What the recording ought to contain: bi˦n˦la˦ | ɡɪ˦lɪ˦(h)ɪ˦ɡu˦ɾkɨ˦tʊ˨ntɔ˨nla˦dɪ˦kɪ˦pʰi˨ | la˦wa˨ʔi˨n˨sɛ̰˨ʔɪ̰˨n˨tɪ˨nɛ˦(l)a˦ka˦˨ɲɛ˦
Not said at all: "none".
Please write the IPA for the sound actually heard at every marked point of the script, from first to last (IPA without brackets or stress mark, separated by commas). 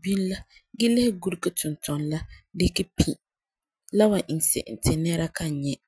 h, ɾ